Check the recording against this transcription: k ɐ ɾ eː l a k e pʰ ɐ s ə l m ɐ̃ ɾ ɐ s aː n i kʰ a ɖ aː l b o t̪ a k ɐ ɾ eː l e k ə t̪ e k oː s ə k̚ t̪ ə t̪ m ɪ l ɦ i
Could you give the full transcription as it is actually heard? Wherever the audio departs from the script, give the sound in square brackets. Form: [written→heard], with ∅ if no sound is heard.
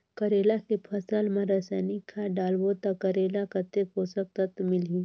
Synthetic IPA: k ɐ ɾ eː l a k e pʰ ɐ s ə l m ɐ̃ ɾ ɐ s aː n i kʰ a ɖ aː l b o t̪ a k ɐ ɾ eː l [e→a] k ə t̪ e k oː s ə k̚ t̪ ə t̪ m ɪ l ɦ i